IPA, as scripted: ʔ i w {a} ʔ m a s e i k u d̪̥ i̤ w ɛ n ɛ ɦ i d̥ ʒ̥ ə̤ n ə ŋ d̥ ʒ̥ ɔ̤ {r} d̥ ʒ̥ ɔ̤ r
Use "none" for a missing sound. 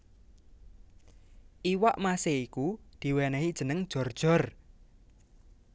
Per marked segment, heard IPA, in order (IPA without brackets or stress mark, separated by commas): a, r